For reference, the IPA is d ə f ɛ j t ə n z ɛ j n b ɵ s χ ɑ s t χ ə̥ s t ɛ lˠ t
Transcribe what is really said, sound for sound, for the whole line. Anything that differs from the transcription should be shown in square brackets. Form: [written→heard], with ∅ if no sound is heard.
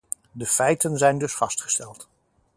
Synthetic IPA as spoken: d ə f ɛ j t ə n z ɛ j n [b→d] ɵ s [χ→f] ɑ s t χ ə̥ s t ɛ lˠ t